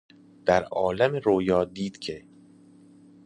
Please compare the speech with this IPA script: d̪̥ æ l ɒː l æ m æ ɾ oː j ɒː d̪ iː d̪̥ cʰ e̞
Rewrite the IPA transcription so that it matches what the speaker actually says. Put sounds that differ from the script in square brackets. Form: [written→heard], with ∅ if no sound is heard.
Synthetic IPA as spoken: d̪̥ æ [l→ɾ] ɒː l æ m [æ→e] ɾ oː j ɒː d̪ iː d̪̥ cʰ e̞